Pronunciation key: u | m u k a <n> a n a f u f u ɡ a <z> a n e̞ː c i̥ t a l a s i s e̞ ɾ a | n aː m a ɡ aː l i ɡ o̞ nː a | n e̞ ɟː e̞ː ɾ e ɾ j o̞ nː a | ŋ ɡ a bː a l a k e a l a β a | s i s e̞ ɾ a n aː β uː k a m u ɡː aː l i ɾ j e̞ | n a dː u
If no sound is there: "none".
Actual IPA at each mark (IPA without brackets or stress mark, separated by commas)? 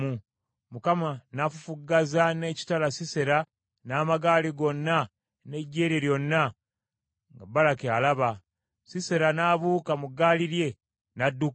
m, z